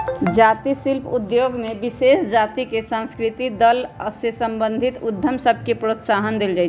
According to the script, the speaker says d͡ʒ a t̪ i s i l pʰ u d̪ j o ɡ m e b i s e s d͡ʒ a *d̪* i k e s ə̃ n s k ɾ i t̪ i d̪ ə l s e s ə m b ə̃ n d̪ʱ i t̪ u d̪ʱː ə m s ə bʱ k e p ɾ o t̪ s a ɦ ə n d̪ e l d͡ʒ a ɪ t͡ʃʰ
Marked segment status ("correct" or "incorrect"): incorrect